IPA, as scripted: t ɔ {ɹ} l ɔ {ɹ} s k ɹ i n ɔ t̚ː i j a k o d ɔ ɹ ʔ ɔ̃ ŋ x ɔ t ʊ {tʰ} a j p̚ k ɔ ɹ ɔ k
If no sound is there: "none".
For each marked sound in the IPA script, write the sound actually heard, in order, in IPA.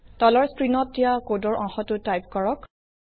none, ɹ, t

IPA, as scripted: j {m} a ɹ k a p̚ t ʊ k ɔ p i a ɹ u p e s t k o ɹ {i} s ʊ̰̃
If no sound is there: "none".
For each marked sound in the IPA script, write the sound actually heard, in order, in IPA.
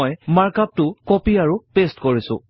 m, i

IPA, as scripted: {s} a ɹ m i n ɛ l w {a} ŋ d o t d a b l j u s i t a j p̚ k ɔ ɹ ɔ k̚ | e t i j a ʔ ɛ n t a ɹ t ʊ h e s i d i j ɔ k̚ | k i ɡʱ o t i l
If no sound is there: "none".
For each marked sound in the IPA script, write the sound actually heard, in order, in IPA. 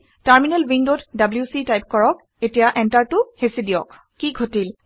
t, i

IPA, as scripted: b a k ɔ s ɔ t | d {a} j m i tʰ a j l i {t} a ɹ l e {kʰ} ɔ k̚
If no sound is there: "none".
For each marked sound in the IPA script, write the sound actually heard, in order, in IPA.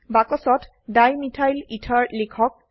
a, tʰ, kʰ

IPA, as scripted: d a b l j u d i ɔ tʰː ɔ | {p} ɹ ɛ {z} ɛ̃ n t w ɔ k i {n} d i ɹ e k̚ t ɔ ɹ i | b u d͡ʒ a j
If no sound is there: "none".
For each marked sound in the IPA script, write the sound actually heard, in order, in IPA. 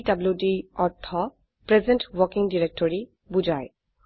p, z, ŋ

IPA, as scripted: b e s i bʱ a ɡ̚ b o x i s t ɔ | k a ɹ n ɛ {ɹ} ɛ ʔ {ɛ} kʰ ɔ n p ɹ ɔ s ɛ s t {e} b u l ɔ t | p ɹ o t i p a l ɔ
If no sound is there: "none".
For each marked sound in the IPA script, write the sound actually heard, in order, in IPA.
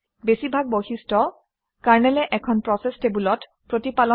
l, ɛ, e

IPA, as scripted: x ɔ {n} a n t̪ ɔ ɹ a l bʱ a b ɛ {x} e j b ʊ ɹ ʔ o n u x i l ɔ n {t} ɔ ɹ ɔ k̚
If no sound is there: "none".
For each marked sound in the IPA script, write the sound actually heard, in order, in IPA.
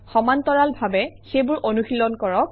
m, x, k

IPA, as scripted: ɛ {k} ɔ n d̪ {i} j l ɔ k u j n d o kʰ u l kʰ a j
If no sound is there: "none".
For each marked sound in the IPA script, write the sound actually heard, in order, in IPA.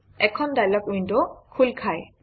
kʰ, a

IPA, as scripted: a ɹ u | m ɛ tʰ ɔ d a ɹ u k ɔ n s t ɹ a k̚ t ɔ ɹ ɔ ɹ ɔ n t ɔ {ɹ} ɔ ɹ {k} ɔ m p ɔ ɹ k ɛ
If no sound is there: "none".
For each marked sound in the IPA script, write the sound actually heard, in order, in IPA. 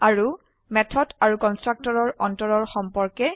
ɹ, x

